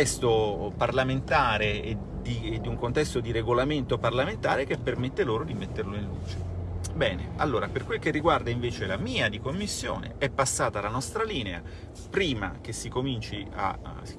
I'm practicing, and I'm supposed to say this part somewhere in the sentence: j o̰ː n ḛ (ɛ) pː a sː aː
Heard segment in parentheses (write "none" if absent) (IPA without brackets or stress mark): ɛ